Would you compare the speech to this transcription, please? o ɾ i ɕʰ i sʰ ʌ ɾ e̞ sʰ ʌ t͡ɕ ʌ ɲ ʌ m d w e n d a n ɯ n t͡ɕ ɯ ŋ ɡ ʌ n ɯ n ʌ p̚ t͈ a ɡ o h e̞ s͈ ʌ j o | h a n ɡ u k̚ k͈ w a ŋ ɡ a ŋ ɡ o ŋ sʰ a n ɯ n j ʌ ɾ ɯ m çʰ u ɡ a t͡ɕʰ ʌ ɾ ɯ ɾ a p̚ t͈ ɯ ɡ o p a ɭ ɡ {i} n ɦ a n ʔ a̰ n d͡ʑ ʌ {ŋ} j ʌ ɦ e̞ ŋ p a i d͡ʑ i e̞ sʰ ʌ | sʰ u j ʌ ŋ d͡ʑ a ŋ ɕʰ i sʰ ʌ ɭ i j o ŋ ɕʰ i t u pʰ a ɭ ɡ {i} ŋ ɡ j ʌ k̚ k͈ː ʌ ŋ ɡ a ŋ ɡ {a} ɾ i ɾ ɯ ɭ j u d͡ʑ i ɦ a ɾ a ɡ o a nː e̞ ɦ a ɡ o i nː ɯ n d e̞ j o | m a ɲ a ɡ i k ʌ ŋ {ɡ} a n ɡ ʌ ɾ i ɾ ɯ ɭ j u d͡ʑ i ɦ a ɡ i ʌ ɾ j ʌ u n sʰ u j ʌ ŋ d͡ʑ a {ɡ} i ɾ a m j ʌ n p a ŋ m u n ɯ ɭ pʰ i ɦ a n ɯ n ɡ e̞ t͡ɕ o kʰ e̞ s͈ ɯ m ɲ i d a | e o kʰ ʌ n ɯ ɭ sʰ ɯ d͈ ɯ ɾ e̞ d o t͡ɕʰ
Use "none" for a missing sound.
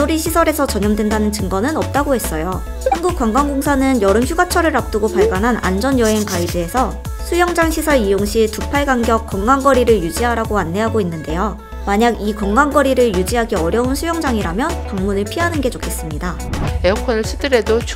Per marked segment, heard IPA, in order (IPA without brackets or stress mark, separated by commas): a, n, a, ʌ, ɡ, ŋ